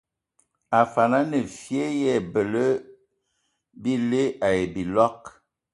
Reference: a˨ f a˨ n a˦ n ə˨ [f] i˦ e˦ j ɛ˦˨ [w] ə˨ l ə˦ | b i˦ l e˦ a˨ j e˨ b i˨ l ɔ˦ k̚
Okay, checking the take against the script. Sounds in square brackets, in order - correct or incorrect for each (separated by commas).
correct, incorrect